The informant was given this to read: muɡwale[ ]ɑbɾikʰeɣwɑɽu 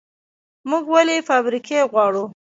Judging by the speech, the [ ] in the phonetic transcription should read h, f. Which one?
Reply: f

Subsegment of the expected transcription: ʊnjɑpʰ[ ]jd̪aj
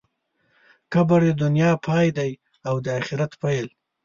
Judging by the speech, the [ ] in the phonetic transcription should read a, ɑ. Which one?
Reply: ɑ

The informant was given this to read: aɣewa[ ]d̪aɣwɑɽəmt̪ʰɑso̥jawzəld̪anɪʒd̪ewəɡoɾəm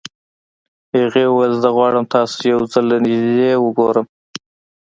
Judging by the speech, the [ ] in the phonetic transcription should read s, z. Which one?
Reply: z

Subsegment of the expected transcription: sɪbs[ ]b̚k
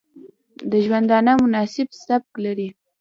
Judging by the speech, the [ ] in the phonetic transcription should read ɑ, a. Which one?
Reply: a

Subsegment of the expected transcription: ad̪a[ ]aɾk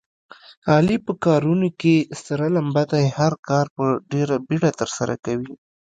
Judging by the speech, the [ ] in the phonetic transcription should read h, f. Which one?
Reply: h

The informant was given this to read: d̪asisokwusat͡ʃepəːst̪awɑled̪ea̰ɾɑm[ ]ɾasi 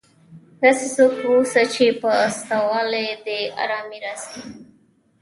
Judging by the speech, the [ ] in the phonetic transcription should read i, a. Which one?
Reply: i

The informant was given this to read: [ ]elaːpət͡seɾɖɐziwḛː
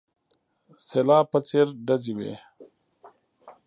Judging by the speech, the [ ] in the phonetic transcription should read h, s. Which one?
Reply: s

